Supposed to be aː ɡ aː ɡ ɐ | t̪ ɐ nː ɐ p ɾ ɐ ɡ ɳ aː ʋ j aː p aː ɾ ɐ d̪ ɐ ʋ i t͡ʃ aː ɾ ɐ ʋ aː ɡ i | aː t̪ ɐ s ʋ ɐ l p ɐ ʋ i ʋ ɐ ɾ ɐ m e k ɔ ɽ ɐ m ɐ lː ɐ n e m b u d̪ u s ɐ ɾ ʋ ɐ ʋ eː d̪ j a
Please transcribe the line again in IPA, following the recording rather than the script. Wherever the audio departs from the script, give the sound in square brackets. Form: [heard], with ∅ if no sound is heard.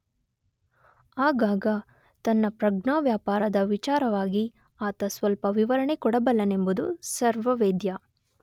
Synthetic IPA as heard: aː ɡ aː ɡ ɐ | t̪ ɐ nː ɐ p ɾ ɐ ɡ ɳ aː ʋ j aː p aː ɾ ɐ d̪ ɐ ʋ i t͡ʃ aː ɾ ɐ ʋ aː ɡ i | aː t̪ ɐ s ʋ ɐ l p ɐ ʋ i ʋ ɐ ɾ ɐ [ɳ] e k ɔ ɽ ɐ [b] ɐ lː ɐ n e m b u d̪ u s ɐ ɾ ʋ ɐ ʋ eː d̪ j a

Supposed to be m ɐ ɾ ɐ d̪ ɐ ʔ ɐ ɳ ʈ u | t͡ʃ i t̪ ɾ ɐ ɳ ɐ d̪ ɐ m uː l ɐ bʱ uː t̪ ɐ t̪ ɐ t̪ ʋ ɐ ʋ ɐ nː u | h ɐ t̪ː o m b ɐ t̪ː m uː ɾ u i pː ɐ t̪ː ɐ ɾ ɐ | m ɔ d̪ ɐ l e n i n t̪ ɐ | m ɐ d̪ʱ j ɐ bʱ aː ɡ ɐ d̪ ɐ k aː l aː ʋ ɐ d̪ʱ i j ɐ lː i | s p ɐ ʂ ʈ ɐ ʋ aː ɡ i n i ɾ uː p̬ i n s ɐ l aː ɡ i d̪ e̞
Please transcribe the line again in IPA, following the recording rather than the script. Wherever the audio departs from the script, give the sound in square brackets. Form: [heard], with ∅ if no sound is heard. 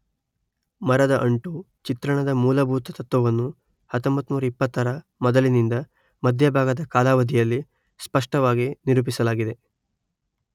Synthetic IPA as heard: m ɐ ɾ ɐ d̪ ɐ ʔ ɐ ɳ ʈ u | t͡ʃ i t̪ ɾ ɐ ɳ ɐ d̪ ɐ m uː l ɐ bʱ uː t̪ ɐ t̪ ɐ t̪ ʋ ɐ ʋ ɐ nː u | h ɐ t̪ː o m b ɐ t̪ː m uː ɾ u i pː ɐ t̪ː ɐ ɾ ɐ | m ɔ d̪ ɐ l [i] n i n [d̪] ɐ | m ɐ d̪ʱ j ɐ bʱ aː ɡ ɐ d̪ ɐ k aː l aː ʋ ɐ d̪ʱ i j ɐ lː i | s p ɐ ʂ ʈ ɐ ʋ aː ɡ i n i ɾ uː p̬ i [∅] s ɐ l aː ɡ i d̪ e̞

